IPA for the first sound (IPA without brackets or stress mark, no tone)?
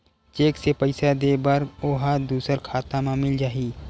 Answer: t͡ʃ